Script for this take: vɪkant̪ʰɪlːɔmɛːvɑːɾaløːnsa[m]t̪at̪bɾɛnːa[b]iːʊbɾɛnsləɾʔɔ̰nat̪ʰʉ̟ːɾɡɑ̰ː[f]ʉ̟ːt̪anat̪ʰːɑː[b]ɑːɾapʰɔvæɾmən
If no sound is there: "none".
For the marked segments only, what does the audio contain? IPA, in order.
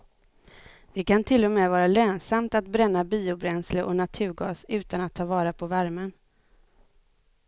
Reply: m, b, s, v

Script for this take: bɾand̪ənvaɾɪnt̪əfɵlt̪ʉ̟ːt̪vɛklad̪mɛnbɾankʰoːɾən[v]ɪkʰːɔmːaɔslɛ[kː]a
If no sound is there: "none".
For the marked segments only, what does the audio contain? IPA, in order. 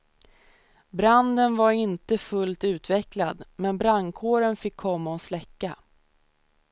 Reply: f, kː

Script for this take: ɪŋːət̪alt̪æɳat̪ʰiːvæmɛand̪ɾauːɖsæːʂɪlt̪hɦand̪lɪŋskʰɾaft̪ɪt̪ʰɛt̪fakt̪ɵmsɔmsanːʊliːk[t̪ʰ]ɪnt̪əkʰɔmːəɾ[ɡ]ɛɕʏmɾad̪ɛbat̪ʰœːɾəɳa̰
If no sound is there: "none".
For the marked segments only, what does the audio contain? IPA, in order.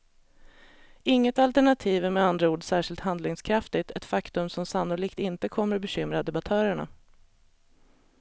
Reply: t̪, b

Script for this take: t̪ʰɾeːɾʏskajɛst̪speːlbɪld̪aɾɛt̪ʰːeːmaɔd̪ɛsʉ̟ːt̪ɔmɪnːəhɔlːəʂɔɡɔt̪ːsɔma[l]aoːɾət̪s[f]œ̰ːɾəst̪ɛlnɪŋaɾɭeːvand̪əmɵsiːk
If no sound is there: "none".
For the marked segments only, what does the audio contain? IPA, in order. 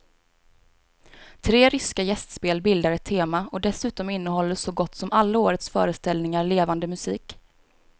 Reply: lː, f

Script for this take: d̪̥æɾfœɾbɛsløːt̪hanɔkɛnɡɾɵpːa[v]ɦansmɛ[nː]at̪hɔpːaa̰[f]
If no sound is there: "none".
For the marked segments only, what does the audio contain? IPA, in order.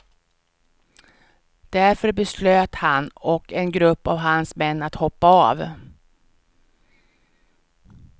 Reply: v, nː, v

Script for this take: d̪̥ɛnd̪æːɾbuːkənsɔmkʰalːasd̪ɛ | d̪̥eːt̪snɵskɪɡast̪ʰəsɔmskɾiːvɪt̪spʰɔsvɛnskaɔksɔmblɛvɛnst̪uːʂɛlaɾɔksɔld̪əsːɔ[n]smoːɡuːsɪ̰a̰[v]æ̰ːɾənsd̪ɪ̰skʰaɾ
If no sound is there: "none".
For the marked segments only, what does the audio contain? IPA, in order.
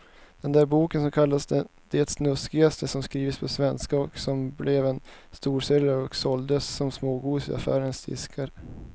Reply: m, f

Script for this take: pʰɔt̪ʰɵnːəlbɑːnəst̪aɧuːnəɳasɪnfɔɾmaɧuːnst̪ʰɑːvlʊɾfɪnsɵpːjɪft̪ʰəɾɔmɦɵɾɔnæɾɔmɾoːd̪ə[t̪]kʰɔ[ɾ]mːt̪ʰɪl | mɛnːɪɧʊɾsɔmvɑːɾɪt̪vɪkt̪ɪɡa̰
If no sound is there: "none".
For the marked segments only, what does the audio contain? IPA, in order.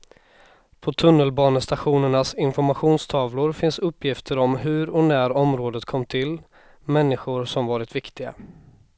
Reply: t̪, none

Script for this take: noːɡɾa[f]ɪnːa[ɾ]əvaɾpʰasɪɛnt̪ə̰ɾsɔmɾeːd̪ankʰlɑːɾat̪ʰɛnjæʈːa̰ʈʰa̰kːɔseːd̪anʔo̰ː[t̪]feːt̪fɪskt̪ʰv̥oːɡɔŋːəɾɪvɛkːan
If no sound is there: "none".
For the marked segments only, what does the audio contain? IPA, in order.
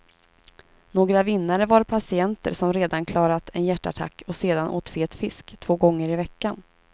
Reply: v, ɾ, t̪

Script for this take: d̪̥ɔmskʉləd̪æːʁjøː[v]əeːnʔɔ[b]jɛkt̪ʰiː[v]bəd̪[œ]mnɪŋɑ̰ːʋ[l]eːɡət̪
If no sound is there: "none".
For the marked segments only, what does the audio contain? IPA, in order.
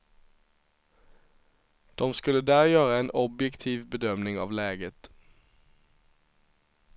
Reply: ʁ, b, ʋ, œ, l

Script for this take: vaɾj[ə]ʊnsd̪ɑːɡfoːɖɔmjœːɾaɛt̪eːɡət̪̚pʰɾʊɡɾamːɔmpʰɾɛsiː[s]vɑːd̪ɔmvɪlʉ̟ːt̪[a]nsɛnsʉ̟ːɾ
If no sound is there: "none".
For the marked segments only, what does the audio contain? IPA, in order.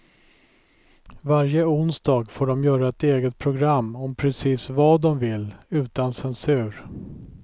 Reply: ə, s, a

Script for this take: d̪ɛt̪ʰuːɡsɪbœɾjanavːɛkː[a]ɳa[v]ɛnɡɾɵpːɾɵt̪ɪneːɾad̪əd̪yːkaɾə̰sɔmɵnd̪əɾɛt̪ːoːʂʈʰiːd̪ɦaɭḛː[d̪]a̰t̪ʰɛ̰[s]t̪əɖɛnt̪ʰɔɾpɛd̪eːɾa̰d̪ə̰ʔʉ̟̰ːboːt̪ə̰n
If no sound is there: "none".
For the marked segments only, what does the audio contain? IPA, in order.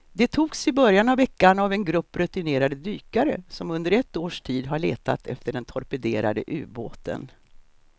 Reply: a, v, t̪, f

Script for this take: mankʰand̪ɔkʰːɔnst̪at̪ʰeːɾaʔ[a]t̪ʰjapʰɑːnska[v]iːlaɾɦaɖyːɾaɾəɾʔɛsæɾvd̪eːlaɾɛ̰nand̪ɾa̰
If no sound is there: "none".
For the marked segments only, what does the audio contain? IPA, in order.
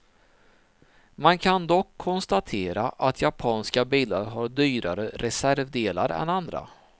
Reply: a, b

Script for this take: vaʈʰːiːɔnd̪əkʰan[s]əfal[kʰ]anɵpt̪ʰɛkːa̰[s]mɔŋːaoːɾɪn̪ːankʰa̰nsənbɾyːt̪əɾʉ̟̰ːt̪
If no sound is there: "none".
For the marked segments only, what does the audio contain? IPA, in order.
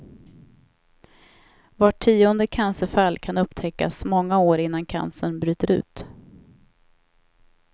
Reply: s, kʰ, s

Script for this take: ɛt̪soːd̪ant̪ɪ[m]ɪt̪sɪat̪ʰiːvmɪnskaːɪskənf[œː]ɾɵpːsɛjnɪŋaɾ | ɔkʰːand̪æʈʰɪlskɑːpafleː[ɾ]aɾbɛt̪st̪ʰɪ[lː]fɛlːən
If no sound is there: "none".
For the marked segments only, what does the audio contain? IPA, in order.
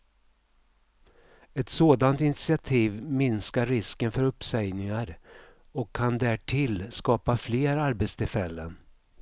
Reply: n, œ, ɾ, l

